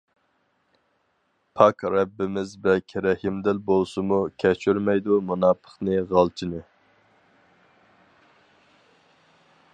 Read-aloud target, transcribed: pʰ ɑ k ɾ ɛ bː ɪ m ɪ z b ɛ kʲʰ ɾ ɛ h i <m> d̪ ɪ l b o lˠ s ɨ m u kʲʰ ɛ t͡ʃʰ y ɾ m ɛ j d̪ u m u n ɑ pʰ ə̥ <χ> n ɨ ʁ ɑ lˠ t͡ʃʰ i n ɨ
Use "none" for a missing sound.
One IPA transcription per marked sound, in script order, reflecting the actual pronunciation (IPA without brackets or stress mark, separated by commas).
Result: m, χ